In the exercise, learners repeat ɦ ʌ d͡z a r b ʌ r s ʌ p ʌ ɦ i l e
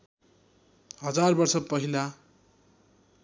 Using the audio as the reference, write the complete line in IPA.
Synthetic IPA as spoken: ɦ ʌ d͡z a r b ʌ r s ʌ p ʌ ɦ i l a